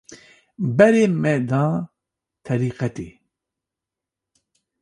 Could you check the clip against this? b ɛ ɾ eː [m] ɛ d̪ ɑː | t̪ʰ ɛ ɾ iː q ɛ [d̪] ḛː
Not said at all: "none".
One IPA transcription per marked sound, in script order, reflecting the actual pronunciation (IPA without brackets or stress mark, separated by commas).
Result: m, t̪